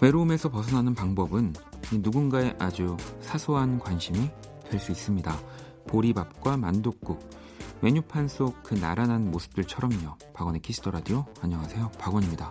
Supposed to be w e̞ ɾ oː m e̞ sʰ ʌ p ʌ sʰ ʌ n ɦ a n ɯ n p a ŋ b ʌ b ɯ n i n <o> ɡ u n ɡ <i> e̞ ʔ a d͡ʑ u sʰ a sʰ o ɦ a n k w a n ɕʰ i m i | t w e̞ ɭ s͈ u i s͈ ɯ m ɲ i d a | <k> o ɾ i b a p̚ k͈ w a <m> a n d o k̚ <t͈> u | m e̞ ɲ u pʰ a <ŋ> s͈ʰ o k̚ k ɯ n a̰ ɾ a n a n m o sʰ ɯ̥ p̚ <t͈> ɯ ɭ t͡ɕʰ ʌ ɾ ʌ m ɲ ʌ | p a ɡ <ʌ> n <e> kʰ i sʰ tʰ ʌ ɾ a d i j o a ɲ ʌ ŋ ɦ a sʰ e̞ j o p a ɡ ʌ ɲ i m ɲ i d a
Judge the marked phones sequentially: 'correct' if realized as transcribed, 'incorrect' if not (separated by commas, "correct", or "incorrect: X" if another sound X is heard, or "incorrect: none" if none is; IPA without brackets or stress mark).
incorrect: u, incorrect: a, incorrect: p, correct, incorrect: k͈, incorrect: n, correct, correct, correct